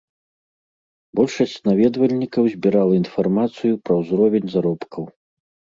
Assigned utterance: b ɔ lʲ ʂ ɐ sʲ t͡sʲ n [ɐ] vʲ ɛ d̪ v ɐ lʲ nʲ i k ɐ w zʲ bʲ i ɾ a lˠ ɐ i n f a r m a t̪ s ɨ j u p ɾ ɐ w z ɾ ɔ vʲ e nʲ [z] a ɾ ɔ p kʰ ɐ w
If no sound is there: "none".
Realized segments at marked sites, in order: a, z

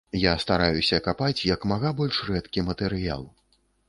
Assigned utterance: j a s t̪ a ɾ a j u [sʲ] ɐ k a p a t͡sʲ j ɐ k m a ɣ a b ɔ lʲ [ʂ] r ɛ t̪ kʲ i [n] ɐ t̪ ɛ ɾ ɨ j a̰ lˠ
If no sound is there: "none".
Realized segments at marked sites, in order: sʲ, ʂ, m

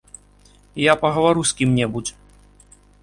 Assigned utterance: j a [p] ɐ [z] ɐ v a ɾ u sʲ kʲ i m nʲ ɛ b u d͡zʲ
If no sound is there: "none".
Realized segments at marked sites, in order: p, ɣ

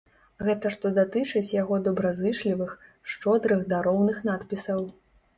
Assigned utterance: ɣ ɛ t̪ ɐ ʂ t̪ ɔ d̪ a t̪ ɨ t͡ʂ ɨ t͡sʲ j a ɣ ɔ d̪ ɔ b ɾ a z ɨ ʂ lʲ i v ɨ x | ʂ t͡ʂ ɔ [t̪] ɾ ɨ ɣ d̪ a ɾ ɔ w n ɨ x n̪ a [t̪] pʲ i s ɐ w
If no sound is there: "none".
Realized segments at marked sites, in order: d̪, t̪

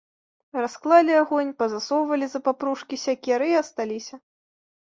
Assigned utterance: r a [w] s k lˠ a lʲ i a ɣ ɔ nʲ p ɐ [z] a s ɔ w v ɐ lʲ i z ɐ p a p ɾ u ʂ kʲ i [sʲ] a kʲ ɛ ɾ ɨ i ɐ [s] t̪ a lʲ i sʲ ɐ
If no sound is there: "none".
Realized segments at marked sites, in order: none, z, sʲ, s

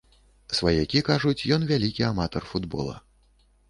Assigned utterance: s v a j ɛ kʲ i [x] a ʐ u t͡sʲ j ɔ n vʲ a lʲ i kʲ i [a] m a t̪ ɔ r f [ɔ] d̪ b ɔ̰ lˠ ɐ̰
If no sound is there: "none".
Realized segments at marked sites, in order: k, a, u

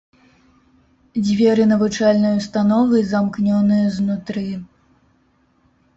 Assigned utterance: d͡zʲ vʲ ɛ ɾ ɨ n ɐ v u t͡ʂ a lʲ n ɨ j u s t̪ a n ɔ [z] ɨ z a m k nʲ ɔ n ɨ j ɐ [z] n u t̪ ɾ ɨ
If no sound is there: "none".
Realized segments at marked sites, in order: v, z

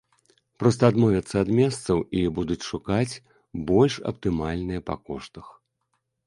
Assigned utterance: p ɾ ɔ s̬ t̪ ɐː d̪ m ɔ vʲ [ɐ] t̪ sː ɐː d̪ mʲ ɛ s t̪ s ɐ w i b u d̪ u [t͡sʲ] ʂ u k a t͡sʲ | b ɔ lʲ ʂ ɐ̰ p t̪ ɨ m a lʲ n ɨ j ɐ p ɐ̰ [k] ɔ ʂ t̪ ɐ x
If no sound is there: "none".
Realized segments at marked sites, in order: ɐ, t͡sʲ, k

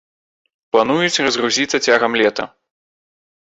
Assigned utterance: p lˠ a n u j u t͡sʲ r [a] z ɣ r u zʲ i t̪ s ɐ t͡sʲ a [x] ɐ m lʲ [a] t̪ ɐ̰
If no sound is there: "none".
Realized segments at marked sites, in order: ɐ, ɣ, ɛ

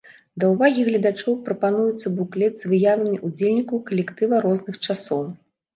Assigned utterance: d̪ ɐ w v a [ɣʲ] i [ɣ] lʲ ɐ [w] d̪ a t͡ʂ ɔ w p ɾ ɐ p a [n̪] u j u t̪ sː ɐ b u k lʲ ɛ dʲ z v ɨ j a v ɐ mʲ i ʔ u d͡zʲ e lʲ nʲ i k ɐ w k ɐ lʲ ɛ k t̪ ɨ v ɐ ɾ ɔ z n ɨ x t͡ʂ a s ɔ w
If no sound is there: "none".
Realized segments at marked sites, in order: ɣʲ, ɣ, none, n̪

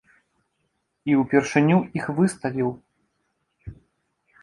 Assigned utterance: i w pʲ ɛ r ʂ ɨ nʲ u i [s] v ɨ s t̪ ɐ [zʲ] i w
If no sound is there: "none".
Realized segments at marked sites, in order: x, vʲ

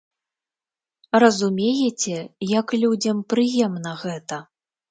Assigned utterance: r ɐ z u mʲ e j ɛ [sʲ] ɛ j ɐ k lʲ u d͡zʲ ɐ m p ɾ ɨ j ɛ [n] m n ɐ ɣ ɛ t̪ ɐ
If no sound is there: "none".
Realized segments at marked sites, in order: t͡sʲ, none

